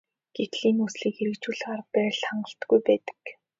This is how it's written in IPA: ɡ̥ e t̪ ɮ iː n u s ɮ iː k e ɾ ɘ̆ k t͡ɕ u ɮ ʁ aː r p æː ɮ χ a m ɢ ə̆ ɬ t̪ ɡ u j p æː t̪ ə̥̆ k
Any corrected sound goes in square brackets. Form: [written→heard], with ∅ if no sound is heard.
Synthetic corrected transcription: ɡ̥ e t̪ ɮ iː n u s ɮ iː k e ɾ ɘ̆ k t͡ɕ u ɮ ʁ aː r p æː ɮ χ a [m→ɴ] ɢ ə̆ ɬ t̪ ɡ u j p æː t̪ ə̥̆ k